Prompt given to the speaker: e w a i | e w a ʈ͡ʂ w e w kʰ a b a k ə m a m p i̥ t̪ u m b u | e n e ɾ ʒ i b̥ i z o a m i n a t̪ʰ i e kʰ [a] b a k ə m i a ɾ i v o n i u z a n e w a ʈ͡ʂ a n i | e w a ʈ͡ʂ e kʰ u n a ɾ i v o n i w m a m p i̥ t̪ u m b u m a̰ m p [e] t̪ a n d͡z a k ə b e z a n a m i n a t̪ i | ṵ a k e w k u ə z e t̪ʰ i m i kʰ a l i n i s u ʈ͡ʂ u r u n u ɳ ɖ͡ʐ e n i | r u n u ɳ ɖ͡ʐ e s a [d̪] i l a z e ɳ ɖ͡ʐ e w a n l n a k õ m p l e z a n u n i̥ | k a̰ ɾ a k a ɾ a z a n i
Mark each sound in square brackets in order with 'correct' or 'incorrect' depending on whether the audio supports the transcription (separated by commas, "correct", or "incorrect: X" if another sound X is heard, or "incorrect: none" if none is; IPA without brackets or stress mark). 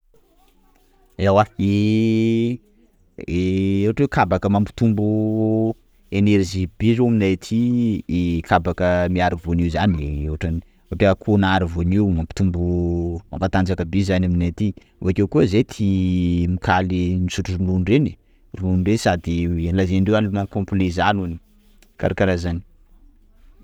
correct, incorrect: a, correct